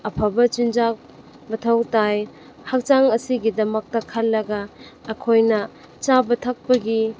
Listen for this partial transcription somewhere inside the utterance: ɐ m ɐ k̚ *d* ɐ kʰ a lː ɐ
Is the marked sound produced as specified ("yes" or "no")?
no